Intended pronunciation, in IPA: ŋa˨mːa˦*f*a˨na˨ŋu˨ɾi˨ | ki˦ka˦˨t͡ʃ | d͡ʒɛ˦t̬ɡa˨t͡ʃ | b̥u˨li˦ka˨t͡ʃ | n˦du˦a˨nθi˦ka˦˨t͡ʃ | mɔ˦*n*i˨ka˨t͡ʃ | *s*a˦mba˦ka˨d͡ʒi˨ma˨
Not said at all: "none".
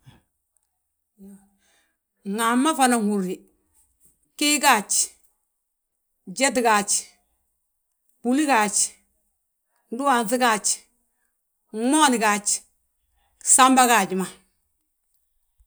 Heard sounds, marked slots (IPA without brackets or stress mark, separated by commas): f, n, s